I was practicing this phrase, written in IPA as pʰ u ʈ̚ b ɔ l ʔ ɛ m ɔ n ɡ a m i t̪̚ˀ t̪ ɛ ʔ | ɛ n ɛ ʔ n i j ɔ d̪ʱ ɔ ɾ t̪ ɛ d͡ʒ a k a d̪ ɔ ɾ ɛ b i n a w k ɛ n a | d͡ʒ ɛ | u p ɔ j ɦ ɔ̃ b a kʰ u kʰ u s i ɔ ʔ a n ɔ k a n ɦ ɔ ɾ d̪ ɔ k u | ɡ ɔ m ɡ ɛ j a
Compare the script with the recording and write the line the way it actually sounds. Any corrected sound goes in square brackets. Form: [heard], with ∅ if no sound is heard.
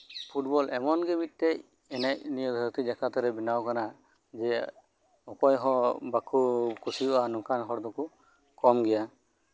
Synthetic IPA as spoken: pʰ u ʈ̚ b ɔ l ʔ ɛ m ɔ n ɡ [ɛ] m i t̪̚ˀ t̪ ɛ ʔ | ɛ n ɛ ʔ n i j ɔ d̪ʱ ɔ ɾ t̪ [i] d͡ʒ a k a [t̪] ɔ ɾ ɛ b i n a w k [a] n a | d͡ʒ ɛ | [ɔ] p ɔ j ɦ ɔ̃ b a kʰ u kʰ u s i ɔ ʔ a n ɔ k a n ɦ ɔ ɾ d̪ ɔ k u | [k] ɔ m ɡ ɛ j a